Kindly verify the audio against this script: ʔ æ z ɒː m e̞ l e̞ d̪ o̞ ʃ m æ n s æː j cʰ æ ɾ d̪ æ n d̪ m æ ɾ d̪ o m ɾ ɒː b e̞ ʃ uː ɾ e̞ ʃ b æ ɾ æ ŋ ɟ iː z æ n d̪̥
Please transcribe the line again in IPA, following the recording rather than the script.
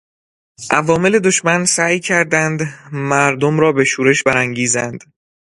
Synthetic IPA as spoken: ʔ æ v ɒː m e̞ l e̞ d̪ o̞ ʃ m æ n s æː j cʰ æ ɾ d̪ æ n d̪ m æ ɾ d̪ o m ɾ ɒː b e̞ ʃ uː ɾ e̞ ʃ b æ ɾ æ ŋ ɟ iː z æ n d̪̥

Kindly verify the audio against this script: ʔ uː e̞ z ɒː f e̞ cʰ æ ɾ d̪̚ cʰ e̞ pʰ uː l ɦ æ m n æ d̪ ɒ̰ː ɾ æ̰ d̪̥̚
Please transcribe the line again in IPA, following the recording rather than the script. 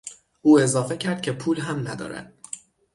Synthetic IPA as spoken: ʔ uː e̞ z ɒː f e̞ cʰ æ ɾ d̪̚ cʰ e̞ pʰ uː l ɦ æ m n æ d̪ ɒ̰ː ɾ æ̰ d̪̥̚

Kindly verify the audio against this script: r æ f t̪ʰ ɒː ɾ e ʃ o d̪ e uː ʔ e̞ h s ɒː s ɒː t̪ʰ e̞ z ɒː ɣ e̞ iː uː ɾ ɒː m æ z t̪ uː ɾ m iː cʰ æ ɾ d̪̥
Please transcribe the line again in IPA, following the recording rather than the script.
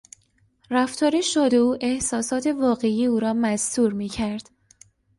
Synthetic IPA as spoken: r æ f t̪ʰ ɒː ɾ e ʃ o d̪ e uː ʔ e̞ h s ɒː s ɒː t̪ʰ e̞ v ɒː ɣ e̞ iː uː ɾ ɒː m æ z t̪ uː ɾ m iː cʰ æ ɾ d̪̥

